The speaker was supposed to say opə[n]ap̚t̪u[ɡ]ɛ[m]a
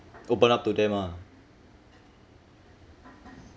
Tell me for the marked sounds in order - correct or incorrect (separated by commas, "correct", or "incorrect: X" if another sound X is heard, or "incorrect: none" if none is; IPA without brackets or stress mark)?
correct, incorrect: d, correct